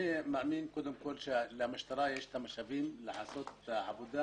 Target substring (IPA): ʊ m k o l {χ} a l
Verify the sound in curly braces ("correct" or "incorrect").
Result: incorrect